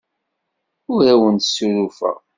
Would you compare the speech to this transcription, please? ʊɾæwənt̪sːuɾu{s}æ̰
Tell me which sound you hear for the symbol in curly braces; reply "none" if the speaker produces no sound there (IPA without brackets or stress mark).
f